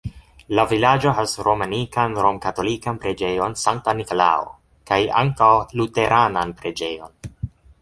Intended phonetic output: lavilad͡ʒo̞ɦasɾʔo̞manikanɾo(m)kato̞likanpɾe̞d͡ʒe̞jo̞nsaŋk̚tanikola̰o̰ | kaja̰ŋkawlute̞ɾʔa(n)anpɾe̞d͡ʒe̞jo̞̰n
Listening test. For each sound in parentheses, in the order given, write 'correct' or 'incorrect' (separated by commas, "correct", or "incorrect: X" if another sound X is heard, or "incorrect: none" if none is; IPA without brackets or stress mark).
correct, correct